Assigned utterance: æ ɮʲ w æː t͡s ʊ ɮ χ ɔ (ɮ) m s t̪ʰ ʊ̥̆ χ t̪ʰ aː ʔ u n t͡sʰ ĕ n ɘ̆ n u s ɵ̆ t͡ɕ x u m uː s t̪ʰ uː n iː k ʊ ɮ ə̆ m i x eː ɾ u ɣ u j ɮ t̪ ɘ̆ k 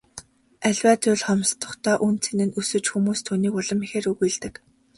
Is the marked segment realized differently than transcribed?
yes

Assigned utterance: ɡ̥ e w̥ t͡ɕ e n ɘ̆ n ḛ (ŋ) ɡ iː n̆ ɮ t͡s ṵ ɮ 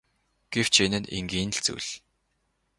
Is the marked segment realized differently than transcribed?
no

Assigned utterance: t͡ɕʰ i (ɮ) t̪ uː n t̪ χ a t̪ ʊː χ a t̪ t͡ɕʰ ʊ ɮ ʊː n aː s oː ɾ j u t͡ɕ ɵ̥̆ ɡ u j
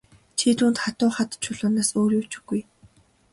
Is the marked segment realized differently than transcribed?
yes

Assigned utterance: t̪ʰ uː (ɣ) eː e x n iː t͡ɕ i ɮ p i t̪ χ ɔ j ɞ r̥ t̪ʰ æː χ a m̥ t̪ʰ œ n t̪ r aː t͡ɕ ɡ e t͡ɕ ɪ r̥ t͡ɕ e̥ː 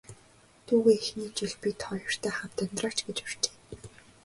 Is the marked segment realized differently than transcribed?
no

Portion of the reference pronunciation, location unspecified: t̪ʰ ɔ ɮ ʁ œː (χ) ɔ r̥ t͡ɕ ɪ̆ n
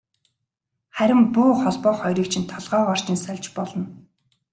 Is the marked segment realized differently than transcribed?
yes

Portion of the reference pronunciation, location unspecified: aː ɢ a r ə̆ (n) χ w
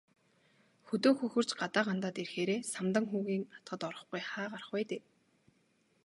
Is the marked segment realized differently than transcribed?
yes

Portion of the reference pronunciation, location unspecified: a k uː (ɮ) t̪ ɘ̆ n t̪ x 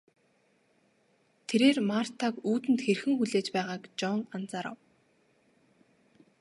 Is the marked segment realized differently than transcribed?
yes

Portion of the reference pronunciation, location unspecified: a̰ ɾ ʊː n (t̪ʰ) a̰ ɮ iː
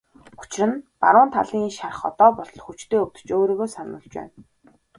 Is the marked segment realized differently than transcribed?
no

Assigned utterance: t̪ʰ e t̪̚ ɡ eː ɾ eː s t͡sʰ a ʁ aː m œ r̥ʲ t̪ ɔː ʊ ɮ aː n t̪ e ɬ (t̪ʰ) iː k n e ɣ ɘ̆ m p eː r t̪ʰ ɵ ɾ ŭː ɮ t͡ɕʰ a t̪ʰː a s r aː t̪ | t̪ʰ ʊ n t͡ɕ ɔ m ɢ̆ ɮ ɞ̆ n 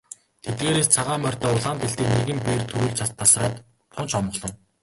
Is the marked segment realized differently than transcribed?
yes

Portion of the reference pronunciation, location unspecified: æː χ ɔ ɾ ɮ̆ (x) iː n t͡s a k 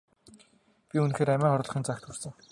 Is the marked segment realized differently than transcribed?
yes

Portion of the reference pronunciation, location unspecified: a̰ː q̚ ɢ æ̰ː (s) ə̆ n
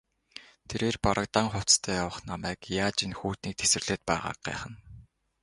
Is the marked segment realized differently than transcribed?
yes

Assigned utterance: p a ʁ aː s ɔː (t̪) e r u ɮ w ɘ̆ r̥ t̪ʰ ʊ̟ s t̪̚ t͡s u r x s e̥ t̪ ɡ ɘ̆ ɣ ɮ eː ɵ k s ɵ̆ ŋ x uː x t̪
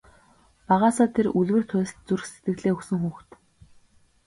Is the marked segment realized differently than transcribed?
yes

